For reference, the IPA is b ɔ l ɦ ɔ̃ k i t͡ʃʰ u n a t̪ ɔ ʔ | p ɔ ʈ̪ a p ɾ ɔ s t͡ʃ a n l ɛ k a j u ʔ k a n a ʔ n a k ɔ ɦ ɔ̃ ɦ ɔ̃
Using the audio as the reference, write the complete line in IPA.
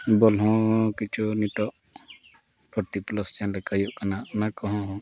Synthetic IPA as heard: b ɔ l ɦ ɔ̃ k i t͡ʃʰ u n i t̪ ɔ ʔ | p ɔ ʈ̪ i p l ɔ s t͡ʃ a n l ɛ k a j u ʔ k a n a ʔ n a k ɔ ɦ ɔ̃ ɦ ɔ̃